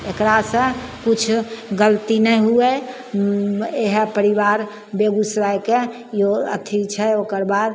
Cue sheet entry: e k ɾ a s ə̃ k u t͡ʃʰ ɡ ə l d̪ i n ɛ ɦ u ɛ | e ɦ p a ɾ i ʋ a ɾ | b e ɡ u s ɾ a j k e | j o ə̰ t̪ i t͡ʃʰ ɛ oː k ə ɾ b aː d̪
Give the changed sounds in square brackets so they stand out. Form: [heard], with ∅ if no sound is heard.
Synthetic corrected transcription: e k ɾ a s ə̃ k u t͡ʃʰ ɡ ə l [t̪] i n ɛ ɦ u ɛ | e ɦ p [ə] ɾ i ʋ a ɾ | b e ɡ u s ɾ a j k e | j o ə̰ [t̪ʰ] i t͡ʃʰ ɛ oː k ə ɾ b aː d̪